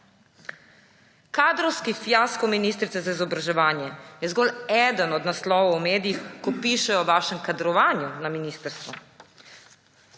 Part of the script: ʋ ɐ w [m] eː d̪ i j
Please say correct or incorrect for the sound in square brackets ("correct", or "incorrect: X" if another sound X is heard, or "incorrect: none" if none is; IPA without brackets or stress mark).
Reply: correct